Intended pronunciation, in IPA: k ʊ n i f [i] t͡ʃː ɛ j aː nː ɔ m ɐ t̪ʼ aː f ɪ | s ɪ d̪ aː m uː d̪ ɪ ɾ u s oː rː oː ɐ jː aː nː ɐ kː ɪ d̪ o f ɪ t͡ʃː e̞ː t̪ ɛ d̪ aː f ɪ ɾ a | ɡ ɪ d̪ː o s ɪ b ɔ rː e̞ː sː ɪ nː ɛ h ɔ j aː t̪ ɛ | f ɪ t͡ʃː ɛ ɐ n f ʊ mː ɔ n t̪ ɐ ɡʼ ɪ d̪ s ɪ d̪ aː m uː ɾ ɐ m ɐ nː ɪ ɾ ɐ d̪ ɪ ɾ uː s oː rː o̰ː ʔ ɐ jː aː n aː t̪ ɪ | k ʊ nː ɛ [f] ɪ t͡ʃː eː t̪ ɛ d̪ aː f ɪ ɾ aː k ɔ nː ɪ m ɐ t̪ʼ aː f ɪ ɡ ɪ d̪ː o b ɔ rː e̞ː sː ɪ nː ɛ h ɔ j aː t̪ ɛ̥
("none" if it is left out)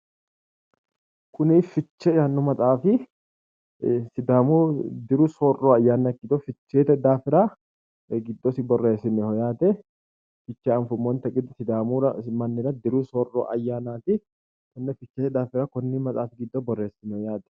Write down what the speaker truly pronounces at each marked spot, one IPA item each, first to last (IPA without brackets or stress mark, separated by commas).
ɪ, f